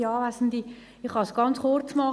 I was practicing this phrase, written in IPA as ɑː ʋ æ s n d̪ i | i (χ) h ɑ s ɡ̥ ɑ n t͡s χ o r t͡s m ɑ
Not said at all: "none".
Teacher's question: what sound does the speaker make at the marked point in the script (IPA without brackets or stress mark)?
χ